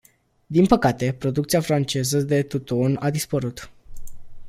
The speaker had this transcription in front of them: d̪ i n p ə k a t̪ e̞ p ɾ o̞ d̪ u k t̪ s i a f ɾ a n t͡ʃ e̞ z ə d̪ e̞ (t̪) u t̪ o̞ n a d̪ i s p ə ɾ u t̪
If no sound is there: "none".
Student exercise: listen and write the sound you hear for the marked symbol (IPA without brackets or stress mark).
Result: t̪